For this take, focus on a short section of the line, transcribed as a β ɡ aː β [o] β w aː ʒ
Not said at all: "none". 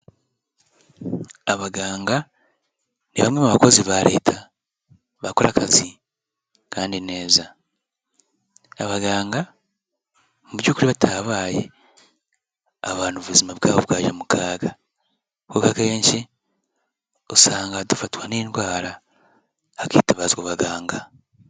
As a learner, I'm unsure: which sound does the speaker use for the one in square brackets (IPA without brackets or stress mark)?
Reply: o